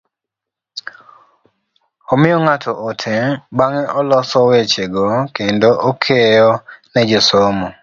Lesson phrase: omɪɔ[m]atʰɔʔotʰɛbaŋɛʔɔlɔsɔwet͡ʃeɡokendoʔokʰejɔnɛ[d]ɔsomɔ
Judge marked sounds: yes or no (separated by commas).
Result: no, no